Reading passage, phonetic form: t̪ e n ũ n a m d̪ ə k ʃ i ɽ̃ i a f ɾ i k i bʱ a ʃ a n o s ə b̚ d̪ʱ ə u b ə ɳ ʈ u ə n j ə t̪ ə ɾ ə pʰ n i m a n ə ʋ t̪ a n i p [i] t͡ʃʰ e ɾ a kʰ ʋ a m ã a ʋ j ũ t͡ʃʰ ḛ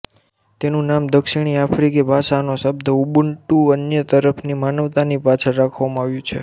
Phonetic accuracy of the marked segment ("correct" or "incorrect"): incorrect